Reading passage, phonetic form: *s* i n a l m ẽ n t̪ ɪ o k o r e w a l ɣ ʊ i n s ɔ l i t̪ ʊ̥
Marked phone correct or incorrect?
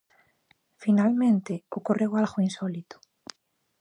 incorrect: f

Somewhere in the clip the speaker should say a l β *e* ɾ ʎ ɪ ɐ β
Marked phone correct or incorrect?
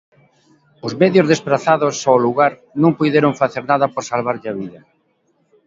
incorrect: a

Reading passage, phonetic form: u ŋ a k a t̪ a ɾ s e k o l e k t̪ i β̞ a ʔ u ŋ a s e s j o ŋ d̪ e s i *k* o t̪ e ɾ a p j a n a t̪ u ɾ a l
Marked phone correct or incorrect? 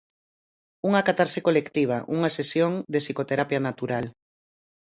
correct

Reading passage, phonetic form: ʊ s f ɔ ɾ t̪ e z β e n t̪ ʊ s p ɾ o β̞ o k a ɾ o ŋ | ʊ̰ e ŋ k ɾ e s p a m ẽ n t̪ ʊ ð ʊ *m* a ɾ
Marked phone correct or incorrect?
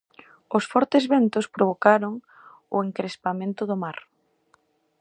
correct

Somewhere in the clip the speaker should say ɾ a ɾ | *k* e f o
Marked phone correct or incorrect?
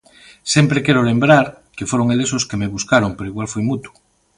correct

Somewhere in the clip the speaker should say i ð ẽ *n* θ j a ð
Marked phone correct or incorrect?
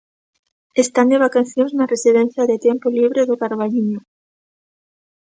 correct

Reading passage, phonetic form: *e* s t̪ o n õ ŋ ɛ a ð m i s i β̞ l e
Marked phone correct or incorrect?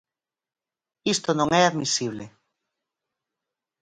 incorrect: i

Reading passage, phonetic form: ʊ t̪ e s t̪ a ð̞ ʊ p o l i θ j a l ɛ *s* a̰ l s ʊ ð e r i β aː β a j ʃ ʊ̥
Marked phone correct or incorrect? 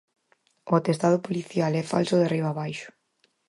incorrect: f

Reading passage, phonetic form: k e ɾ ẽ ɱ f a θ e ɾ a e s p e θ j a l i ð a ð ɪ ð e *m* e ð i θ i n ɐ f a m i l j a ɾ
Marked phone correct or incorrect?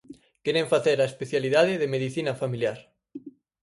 correct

